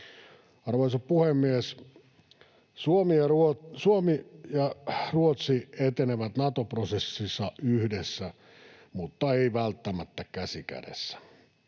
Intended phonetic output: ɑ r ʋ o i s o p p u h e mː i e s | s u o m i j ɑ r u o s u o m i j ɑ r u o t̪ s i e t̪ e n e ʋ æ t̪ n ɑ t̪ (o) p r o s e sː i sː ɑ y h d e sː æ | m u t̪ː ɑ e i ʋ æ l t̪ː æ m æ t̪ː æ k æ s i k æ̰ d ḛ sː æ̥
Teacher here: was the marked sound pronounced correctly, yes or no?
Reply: yes